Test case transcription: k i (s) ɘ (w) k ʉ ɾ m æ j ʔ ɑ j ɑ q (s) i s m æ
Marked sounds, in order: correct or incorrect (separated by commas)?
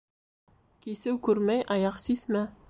correct, correct, correct